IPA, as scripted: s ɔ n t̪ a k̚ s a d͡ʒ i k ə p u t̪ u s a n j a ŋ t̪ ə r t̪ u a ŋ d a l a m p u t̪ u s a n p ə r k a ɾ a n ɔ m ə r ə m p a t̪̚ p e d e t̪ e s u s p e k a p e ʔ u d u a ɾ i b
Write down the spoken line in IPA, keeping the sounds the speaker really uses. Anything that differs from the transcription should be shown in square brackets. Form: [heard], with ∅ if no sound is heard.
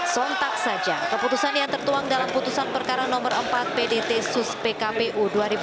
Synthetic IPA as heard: s ɔ n t̪ a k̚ s a d͡ʒ [a] k ə p u t̪ u s a n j a ŋ t̪ ə r t̪ u a ŋ d a l a m p u t̪ u s a n p ə r k a ɾ a n ɔ m ə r ə m p a t̪̚ p e d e t̪ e s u s p e k a p e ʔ u d u a ɾ i b